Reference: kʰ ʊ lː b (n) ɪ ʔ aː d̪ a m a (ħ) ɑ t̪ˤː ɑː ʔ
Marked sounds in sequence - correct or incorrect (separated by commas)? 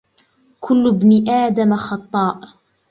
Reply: correct, incorrect